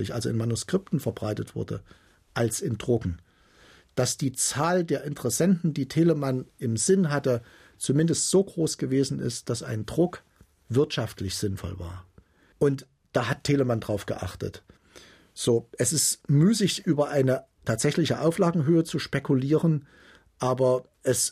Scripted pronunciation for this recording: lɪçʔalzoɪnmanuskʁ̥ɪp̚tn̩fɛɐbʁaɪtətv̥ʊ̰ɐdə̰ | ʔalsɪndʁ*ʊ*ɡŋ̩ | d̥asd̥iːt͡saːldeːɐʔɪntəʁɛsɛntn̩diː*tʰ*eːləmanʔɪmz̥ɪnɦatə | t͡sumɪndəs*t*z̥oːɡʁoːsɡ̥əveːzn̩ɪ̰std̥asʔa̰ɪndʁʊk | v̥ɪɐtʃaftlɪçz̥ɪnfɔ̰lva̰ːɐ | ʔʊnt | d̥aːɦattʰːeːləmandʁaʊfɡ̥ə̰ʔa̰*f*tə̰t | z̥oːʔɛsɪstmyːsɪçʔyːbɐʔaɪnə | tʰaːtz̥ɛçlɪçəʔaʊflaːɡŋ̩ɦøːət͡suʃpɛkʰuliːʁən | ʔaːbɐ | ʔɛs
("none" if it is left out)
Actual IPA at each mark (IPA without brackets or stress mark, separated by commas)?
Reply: ʊ, tʰ, t, χ